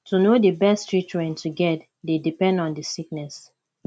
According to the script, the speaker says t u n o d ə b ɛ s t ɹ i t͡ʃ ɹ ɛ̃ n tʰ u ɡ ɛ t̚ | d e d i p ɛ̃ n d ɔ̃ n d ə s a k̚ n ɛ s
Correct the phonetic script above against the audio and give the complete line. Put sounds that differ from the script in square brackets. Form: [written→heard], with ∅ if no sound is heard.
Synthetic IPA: t u n o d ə b ɛ s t ɹ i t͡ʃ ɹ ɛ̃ n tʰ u ɡ ɛ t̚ | d e d i p ɛ̃ n d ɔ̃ n d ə s [a→i] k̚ n ɛ s